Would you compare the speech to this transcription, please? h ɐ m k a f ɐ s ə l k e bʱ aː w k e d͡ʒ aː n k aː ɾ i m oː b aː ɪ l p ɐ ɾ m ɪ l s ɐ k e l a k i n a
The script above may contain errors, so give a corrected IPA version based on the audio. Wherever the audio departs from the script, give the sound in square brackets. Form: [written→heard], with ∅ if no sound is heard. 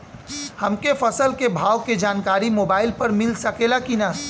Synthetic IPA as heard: h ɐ m k [a→e] f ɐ s ə l k e bʱ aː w k e d͡ʒ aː n k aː ɾ i m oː b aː ɪ l p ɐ ɾ m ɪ l s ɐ k e l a k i n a